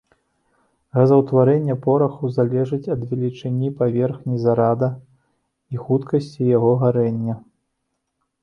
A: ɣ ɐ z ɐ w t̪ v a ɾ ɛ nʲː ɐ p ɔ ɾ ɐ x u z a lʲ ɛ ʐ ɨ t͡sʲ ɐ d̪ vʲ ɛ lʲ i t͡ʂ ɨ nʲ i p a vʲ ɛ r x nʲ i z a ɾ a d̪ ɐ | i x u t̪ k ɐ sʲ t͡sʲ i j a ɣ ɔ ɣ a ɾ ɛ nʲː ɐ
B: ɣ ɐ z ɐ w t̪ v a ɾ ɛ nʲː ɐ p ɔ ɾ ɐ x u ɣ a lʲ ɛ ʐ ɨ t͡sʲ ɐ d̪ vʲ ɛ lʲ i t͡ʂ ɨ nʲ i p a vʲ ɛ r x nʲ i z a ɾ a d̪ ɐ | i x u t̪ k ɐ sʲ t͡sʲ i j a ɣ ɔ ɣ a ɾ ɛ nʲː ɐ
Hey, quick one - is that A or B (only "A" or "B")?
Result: A